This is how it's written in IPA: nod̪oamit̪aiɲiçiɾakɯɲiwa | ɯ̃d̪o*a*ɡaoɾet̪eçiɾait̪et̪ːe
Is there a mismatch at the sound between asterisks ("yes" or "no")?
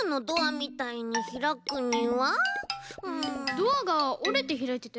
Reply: no